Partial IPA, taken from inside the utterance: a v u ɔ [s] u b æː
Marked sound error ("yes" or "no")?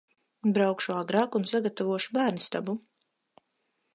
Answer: yes